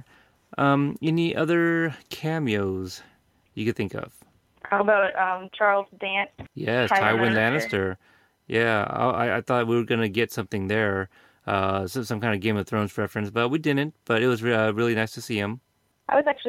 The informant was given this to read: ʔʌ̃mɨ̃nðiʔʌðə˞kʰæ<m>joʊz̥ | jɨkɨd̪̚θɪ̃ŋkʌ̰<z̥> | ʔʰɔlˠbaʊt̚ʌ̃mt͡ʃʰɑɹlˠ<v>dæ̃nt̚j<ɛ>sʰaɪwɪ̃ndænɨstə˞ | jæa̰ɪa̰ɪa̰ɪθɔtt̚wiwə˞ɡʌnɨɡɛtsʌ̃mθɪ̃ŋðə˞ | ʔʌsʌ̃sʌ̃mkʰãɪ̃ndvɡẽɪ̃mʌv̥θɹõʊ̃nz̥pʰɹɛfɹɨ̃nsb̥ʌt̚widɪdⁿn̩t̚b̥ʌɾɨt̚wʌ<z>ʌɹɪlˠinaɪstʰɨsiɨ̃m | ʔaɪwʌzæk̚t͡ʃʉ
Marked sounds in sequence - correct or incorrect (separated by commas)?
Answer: correct, incorrect, incorrect, correct, correct